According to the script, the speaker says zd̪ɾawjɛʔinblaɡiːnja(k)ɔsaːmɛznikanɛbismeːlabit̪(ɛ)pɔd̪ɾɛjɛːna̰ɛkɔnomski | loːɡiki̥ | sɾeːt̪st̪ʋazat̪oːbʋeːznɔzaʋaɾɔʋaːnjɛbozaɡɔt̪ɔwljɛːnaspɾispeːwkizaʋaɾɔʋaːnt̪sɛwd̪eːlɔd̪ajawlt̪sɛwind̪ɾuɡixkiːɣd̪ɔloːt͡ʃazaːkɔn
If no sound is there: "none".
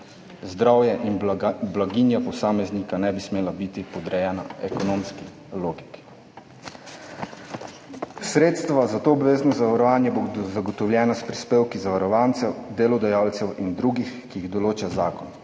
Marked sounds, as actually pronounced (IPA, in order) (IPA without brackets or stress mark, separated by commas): p, i